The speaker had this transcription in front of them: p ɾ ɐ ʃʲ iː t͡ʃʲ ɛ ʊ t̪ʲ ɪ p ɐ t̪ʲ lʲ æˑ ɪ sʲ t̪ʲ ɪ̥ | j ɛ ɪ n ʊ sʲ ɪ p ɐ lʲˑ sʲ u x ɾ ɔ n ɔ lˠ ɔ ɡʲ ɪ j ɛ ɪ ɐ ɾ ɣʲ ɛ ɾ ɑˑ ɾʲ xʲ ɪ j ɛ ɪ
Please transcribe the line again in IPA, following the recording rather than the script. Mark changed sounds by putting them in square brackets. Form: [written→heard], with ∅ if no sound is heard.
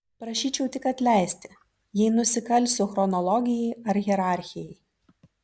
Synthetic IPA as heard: p ɾ ɐ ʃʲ iː t͡ʃʲ ɛ ʊ t̪ʲ ɪ [p→k] ɐ t̪ʲ lʲ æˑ ɪ sʲ t̪ʲ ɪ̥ | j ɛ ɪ n ʊ sʲ ɪ [p→k] ɐ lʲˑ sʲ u x ɾ ɔ n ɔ lˠ ɔ ɡʲ ɪ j ɛ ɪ ɐ ɾ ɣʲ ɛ ɾ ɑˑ ɾʲ xʲ ɪ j ɛ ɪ

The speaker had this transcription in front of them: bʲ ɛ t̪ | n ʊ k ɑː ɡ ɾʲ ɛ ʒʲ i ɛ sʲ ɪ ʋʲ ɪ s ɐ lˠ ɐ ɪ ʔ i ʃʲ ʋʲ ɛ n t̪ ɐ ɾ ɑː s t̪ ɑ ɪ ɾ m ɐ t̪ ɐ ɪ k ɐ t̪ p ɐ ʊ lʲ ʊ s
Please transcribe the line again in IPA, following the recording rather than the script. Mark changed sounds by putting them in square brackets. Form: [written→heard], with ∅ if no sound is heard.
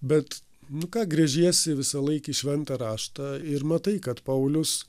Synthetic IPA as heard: bʲ ɛ t̪ | n ʊ k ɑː ɡ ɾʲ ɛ ʒʲ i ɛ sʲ ɪ ʋʲ ɪ s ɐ lˠ ɐ ɪ [ʔ→k] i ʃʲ ʋʲ ɛ n t̪ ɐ ɾ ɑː [s→ʃ] t̪ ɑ ɪ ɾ m ɐ t̪ ɐ ɪ k ɐ t̪ p ɐ ʊ lʲ ʊ s

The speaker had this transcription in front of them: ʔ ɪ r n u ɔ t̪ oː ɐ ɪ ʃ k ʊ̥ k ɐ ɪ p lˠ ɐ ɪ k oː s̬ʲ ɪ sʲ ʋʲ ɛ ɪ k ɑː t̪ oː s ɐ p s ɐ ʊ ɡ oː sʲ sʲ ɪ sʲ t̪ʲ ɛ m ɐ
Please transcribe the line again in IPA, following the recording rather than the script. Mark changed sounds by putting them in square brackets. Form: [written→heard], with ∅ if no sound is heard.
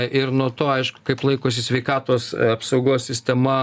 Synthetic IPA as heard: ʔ ɪ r n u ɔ t̪ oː ɐ ɪ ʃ k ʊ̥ k ɐ ɪ p lˠ ɐ ɪ k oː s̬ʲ ɪ sʲ ʋʲ ɛ ɪ k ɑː t̪ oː s ɐ p s ɐ ʊ ɡ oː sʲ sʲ ɪ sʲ t̪ʲ ɛ m ɐ

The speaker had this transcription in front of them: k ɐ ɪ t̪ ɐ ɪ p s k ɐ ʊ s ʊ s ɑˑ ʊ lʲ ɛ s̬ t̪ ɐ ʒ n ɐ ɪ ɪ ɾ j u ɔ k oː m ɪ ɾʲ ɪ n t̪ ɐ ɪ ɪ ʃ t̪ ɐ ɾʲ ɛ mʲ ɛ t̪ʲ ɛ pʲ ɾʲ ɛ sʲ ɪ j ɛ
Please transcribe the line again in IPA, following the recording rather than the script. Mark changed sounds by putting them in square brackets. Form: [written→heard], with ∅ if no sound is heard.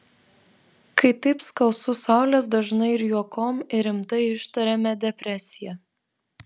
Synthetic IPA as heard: k ɐ ɪ t̪ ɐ ɪ p s k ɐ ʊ s ʊ s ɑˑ ʊ lʲ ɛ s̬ [t̪→d̪] ɐ ʒ n ɐ ɪ ɪ ɾ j u ɔ k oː m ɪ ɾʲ ɪ [n→m] t̪ ɐ ɪ ɪ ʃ t̪ ɐ ɾʲ ɛ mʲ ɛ [t̪ʲ→d̪ʲ] ɛ pʲ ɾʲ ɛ sʲ ɪ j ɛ

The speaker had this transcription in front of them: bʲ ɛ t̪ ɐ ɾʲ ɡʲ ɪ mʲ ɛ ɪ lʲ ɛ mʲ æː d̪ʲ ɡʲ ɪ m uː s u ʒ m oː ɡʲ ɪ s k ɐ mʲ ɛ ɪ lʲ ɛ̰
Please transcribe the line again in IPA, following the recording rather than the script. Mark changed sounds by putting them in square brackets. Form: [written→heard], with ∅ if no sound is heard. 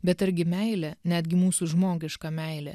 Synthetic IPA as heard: bʲ ɛ t̪ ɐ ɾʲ ɡʲ ɪ mʲ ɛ ɪ lʲ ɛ [mʲ→nʲ] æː d̪ʲ ɡʲ ɪ m uː s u ʒ m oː ɡʲ ɪ [s→ʃ] k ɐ mʲ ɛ ɪ lʲ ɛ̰

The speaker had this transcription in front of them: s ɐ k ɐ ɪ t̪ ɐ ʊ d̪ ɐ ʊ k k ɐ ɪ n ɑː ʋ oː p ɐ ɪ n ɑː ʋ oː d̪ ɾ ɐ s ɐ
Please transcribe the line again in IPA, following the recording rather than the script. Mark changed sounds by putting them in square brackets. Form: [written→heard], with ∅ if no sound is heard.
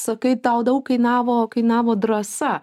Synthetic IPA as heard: s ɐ k ɐ ɪ t̪ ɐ ʊ d̪ ɐ ʊ k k ɐ ɪ n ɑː ʋ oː [p→k] ɐ ɪ n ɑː ʋ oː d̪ ɾ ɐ s ɐ

